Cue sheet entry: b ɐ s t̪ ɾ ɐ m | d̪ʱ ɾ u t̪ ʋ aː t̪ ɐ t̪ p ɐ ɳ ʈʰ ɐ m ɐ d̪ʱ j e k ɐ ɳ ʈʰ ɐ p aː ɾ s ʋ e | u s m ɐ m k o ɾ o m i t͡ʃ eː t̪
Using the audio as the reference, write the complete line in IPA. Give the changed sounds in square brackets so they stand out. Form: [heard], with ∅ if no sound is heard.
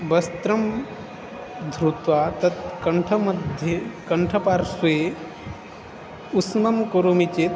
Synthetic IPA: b ɐ s t̪ ɾ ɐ m | d̪ʱ ɾ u t̪ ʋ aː t̪ ɐ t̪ [k] ɐ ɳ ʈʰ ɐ m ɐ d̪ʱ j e k ɐ ɳ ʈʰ ɐ p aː ɾ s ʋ e | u s m ɐ m k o ɾ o m i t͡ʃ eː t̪